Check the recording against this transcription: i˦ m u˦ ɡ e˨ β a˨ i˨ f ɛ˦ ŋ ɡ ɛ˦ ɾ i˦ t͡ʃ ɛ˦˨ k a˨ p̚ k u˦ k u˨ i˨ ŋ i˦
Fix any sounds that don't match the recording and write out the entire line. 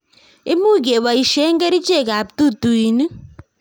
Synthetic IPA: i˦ m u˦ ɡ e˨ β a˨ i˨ ʃ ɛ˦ ŋ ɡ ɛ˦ ɾ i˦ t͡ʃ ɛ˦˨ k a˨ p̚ t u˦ t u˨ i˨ n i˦